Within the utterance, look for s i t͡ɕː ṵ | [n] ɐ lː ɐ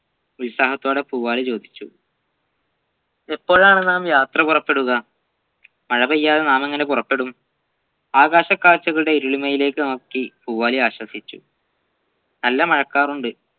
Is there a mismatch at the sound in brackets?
no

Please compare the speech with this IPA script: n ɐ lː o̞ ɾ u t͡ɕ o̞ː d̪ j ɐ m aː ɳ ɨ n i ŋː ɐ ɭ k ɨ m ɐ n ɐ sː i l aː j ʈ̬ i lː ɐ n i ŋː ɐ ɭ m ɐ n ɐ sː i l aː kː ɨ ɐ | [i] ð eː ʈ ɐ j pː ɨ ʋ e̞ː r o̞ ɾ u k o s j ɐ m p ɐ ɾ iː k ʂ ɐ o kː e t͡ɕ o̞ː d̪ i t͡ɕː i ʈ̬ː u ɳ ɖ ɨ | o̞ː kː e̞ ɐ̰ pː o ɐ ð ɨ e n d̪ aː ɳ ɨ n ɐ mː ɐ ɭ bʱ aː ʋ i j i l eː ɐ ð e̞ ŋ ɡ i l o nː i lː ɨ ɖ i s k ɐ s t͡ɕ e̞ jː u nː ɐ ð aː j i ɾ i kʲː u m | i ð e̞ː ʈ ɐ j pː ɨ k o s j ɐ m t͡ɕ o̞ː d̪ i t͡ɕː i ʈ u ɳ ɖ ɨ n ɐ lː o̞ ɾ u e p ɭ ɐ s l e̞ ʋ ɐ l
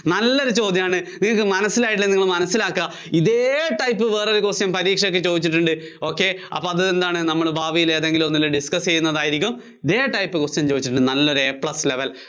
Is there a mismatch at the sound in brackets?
no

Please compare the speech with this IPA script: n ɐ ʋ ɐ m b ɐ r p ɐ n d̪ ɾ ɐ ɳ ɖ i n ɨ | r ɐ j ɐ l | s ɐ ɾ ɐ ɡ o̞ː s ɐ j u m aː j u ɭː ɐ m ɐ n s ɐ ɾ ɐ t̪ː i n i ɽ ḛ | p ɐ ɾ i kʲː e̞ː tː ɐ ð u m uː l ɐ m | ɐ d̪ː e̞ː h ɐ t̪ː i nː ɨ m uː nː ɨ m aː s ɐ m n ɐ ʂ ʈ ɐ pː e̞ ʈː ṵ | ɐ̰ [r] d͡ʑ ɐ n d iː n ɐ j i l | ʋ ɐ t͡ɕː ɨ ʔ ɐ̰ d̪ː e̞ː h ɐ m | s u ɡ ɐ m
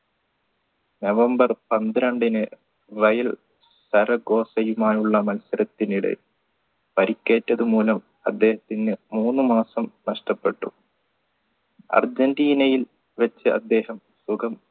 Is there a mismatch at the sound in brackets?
no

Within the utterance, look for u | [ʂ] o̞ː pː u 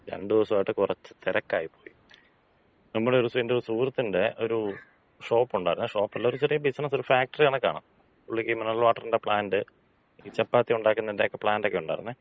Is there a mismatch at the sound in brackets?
no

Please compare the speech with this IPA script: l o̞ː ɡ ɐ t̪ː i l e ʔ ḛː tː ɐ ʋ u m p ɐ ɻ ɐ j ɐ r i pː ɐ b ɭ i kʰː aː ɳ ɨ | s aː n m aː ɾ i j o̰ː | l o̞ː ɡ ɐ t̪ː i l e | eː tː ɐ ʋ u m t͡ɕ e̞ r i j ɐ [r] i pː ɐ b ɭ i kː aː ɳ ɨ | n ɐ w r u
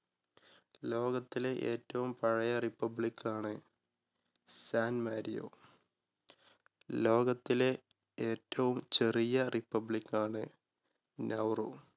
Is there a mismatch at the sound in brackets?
no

